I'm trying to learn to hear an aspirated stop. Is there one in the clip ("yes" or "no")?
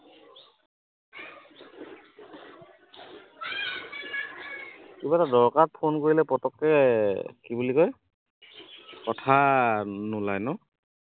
yes